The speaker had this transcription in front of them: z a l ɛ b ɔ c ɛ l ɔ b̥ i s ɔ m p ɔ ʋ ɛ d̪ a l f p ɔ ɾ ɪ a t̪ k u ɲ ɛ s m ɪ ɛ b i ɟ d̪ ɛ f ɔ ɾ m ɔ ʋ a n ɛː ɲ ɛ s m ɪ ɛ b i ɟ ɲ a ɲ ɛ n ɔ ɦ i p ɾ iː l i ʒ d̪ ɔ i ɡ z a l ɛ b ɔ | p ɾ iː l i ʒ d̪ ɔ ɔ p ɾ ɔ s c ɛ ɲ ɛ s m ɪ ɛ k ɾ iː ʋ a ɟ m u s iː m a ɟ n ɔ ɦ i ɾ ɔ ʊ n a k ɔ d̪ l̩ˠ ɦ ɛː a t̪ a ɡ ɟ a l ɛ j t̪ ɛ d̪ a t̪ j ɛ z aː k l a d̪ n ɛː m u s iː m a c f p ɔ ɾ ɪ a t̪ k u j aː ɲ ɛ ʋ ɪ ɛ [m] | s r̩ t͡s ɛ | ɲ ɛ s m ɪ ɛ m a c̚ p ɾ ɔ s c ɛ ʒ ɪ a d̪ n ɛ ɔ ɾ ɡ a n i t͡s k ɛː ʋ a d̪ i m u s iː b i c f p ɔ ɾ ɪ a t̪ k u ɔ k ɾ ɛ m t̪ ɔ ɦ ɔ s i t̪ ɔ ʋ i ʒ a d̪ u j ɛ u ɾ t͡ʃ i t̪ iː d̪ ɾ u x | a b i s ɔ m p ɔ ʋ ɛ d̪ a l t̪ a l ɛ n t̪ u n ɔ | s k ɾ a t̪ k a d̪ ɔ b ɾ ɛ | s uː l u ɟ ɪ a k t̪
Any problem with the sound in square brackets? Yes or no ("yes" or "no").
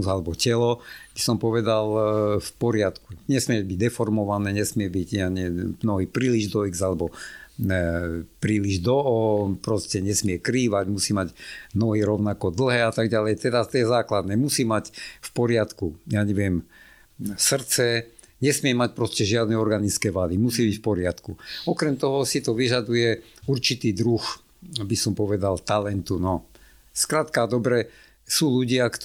no